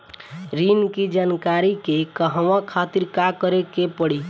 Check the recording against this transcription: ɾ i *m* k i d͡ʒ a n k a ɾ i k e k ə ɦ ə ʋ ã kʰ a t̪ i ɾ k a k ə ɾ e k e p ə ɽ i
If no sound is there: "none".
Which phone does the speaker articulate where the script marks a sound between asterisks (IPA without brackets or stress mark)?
n